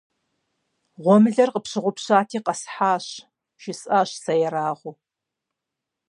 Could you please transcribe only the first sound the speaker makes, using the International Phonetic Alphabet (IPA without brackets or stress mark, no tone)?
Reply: ʁʷ